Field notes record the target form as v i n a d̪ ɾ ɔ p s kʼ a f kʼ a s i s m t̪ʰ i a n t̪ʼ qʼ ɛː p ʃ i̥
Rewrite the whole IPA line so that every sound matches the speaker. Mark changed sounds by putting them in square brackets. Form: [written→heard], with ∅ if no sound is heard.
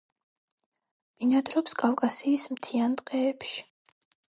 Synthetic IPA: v i n a d̪ ɾ ɔ p s kʼ a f kʼ a s [i→iː] s m t̪ʰ i a n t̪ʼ qʼ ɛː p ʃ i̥